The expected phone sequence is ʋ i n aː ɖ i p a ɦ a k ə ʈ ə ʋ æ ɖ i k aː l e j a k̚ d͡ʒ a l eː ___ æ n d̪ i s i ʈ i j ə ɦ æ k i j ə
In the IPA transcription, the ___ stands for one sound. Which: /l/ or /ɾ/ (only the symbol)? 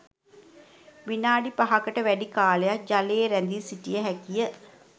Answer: ɾ